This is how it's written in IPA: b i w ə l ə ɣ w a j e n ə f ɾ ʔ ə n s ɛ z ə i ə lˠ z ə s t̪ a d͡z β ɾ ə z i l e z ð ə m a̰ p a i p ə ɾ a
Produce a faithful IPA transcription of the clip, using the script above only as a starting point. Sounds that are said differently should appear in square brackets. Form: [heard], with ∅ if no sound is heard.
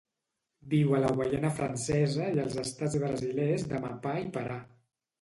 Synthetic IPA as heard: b i w ə l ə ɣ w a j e n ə f ɾ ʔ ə n s ɛ z ə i ə lˠ z ə s t̪ a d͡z β ɾ ə z i l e z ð ə m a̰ p a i p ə ɾ a